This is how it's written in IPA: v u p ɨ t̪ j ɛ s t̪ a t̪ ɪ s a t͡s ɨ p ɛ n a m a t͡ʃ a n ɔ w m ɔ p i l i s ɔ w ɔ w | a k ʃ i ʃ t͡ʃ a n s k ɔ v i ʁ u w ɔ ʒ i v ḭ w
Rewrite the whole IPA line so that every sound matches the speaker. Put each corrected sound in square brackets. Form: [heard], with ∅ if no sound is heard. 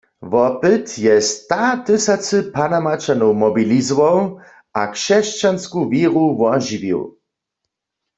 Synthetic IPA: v [ɔ] p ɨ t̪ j ɛ s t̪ a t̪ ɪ s a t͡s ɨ p [a] n a m a t͡ʃ a n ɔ w m ɔ [b] i l i [z] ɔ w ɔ w | a k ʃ [ɛ] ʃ t͡ʃ a n s k [u] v i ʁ u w ɔ ʒ i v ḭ w